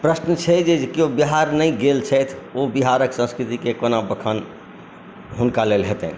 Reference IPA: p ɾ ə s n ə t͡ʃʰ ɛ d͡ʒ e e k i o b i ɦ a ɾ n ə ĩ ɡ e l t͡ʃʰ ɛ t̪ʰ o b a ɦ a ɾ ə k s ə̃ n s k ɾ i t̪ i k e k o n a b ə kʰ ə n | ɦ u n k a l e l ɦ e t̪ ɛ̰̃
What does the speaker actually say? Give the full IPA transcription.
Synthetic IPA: p ɾ ə s n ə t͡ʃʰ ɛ d͡ʒ e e k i o b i ɦ a ɾ n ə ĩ ɡ e l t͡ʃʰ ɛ t̪ʰ o b i ɦ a ɾ ə k s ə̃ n s k ɾ i t̪ i k e k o n a b ə kʰ ə n | ɦ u n k a l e l ɦ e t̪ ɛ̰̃